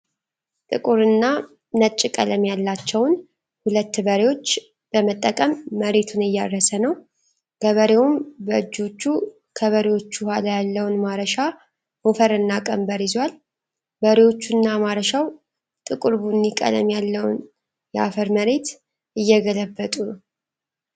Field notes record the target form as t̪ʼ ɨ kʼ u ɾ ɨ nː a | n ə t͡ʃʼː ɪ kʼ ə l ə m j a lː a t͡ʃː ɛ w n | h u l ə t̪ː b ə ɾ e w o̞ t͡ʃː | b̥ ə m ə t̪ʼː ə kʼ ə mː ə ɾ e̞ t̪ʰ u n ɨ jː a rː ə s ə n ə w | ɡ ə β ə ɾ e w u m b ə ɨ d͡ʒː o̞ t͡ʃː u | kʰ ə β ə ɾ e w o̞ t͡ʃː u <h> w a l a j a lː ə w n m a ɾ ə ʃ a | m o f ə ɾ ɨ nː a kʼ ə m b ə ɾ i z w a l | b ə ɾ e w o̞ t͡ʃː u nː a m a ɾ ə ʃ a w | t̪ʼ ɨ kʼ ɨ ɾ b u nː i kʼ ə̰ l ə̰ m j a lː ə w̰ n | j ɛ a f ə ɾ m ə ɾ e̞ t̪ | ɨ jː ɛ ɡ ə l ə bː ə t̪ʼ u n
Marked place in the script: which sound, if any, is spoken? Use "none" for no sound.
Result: h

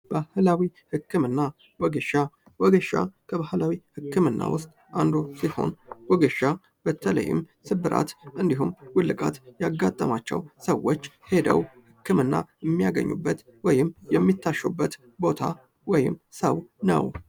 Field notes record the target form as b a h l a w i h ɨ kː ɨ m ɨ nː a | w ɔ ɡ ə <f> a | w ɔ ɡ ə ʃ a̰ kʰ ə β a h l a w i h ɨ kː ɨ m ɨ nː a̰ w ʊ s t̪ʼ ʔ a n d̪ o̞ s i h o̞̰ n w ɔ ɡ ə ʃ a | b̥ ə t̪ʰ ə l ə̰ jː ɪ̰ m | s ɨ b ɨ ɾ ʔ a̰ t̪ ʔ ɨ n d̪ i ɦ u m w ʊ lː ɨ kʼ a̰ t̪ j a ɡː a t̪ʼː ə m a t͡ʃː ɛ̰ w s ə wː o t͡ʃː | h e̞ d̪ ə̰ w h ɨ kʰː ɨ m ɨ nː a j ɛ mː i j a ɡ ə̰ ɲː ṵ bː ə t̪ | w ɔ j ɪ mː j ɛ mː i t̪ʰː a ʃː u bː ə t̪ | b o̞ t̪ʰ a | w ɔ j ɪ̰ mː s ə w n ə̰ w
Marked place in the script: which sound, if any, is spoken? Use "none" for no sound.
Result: ʃ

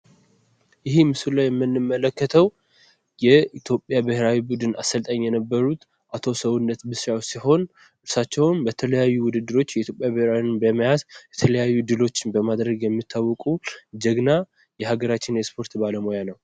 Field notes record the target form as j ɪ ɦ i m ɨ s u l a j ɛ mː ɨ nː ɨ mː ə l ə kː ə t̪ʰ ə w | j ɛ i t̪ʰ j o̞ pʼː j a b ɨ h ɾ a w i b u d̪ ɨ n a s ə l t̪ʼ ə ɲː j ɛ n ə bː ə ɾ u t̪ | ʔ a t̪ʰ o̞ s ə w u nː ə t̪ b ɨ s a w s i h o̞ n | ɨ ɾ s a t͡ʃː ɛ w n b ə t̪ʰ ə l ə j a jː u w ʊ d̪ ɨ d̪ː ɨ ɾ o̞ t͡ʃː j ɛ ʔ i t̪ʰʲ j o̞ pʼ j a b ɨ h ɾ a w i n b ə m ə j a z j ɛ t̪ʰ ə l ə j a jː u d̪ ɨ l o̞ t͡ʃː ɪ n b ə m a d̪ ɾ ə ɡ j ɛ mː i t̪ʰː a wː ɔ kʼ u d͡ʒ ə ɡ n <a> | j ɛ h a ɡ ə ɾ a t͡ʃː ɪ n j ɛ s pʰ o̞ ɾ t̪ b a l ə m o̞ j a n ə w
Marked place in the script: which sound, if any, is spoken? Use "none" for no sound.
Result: a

